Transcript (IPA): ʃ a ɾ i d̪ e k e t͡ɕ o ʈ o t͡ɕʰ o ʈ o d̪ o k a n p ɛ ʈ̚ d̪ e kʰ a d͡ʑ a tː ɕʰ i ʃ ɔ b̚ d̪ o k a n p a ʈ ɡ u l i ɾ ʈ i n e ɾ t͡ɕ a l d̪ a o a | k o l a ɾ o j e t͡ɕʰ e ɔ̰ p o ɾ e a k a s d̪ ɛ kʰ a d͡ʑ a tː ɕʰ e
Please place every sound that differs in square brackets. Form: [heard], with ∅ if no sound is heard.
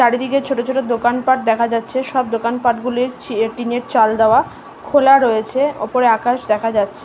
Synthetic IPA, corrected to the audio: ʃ a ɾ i d̪ [i] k e [t͡ɕʰ] o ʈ o t͡ɕʰ o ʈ o d̪ o k a n p [a] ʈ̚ d̪ [ɛ] kʰ a d͡ʑ a tː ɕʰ [e] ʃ ɔ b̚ d̪ o k a n p a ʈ ɡ u l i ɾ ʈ i n e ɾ t͡ɕ a l d̪ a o a | [kʰ] o l a ɾ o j e t͡ɕʰ e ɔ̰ p o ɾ e a k a [ʃ] d̪ ɛ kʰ a d͡ʑ a tː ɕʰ e